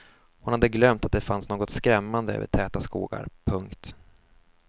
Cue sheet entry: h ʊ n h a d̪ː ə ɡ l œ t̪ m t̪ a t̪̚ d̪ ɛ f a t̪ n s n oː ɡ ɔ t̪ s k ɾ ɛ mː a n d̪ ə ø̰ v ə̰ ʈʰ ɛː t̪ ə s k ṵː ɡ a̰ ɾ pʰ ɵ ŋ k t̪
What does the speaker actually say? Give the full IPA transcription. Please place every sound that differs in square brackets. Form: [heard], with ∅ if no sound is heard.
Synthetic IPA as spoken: h ʊ n h a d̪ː ə ɡ l œ [∅] m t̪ a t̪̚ d̪ ɛ f a [∅] n s n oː ɡ ɔ t̪ s k ɾ ɛ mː a n d̪ ə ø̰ v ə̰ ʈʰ ɛː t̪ [a] s k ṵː ɡ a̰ ɾ pʰ ɵ ŋ k t̪